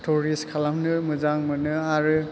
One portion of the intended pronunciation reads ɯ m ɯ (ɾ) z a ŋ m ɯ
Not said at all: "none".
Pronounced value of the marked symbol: none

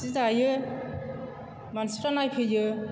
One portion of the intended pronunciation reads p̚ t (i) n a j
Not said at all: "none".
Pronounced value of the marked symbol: a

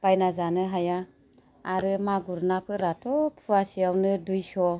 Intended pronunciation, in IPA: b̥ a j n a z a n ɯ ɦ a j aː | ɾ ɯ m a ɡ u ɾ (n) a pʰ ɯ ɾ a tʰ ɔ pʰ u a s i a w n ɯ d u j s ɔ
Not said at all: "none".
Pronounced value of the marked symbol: n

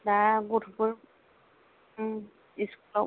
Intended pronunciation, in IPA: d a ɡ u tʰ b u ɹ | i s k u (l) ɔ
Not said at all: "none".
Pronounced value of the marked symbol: l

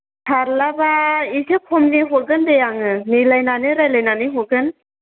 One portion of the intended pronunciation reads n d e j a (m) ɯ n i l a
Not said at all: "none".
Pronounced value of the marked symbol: ŋ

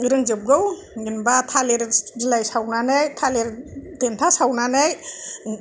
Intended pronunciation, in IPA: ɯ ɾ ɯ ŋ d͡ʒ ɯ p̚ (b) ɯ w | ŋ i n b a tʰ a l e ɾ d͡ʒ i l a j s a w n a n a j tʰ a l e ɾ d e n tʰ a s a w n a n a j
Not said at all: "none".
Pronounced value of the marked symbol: ɡ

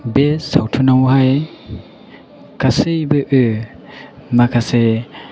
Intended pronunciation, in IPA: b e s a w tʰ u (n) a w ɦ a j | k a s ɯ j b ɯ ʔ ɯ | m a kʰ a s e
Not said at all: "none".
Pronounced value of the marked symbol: n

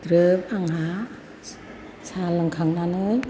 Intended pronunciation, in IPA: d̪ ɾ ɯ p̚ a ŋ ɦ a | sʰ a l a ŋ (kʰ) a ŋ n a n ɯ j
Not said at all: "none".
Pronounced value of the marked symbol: kʰ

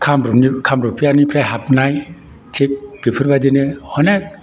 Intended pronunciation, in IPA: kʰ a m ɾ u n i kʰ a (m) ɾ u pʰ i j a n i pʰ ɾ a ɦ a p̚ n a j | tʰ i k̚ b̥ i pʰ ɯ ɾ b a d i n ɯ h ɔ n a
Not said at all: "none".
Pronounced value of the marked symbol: m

